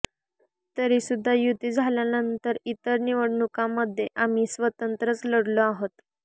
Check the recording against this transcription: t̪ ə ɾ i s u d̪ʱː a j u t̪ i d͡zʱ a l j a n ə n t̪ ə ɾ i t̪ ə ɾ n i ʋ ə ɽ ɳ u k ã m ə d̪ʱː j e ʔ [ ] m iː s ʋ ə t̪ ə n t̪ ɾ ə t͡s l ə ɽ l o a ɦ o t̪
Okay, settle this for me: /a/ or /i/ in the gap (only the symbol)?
a